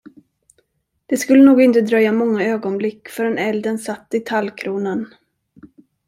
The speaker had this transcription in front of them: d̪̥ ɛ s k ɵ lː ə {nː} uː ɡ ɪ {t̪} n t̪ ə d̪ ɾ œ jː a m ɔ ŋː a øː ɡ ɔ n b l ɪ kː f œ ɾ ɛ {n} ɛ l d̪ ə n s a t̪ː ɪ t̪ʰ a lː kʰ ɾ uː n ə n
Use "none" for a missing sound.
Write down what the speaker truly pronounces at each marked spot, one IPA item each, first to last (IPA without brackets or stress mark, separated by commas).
n, none, n